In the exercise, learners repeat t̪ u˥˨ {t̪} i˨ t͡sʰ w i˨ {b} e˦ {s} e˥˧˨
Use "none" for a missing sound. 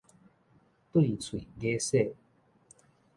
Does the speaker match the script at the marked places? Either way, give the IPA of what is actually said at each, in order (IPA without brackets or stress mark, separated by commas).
none, ɡ, s